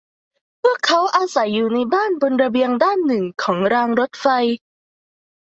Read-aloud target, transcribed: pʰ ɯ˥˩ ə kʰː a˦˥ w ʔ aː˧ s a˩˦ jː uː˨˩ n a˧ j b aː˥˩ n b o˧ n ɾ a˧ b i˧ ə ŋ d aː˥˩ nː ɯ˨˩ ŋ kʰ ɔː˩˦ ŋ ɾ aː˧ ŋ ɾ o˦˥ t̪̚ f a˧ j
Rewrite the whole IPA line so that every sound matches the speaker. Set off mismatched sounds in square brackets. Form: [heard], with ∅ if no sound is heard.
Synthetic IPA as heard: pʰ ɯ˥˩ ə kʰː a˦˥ w ʔ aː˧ s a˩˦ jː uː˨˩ n a˧ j b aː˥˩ n b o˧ n ɾ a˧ b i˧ ə ŋ d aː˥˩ nː ɯ˨˩ ŋ kʰ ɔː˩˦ ŋ ɾ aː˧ ŋ ɾ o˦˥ t̪̚ f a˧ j